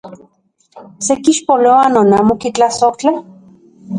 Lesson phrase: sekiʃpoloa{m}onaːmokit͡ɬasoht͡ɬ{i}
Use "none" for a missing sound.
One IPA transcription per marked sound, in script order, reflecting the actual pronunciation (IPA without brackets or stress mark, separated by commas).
n, a